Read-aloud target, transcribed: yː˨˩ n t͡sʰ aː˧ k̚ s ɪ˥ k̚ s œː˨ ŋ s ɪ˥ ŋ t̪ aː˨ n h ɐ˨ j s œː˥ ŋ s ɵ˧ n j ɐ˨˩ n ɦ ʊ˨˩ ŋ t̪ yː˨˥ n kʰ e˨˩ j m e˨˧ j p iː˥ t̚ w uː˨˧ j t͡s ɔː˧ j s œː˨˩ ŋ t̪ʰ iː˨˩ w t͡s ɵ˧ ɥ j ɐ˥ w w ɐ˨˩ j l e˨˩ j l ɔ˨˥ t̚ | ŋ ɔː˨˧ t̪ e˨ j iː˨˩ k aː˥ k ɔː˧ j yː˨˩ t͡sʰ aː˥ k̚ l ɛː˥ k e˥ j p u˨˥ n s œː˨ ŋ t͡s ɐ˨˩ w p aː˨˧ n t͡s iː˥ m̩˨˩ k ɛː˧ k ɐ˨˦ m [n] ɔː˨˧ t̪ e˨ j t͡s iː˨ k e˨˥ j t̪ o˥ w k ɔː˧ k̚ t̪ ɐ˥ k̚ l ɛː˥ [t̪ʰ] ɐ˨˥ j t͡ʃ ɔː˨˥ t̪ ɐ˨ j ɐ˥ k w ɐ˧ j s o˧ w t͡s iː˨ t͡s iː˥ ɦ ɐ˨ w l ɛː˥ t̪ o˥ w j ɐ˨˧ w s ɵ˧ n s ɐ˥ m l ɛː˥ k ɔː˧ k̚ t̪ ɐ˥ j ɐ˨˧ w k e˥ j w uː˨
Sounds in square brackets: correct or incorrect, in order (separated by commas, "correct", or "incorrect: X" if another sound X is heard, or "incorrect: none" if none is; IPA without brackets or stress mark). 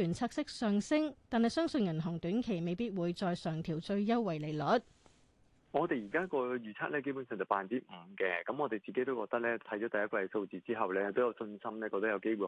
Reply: incorrect: ŋ, correct